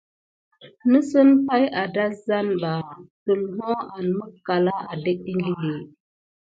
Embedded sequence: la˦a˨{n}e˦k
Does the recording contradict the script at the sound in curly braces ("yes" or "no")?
yes